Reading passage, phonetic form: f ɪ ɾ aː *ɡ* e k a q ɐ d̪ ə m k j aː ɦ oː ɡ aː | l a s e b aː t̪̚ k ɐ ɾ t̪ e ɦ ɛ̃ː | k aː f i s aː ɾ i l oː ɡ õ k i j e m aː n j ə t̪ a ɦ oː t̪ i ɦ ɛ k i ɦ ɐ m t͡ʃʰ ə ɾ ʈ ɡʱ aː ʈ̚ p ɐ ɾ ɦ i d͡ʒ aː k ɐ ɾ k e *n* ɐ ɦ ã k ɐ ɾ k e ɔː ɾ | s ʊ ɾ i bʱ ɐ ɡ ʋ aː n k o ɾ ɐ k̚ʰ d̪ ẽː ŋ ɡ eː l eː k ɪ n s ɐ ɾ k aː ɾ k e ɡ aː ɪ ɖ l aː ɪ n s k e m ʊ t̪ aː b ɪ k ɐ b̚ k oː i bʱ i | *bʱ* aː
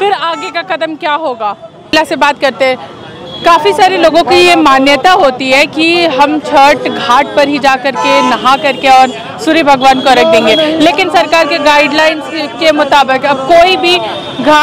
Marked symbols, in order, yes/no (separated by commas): yes, yes, no